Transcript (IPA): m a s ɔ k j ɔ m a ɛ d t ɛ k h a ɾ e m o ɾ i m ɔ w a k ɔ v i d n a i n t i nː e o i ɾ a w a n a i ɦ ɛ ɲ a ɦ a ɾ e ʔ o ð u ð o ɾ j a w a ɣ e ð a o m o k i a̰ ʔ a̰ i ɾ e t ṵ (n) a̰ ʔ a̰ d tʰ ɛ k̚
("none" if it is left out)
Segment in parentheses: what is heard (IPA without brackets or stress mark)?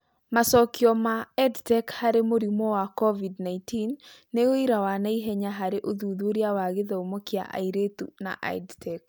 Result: n